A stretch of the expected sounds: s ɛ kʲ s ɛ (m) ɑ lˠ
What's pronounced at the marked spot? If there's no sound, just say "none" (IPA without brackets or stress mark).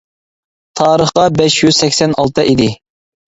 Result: n